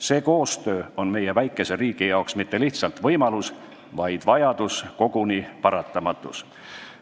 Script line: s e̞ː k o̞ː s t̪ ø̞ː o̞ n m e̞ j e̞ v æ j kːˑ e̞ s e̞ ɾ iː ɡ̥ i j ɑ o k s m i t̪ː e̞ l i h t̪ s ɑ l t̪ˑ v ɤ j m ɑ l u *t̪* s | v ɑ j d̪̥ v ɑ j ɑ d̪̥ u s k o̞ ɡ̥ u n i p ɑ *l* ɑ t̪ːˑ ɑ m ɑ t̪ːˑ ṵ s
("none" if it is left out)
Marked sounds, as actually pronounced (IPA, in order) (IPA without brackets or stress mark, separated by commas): none, ɾ